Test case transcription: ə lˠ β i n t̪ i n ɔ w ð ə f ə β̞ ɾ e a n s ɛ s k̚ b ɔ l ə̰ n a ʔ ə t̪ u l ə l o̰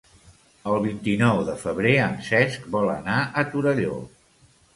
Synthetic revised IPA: ə lˠ β i n t̪ i n ɔ w ð ə f ə β̞ ɾ e ə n s ɛ s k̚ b ɔ l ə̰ n a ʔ ə t̪ u ɾ ə ʎ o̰